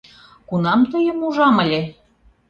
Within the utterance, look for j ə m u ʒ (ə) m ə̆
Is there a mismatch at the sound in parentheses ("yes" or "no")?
yes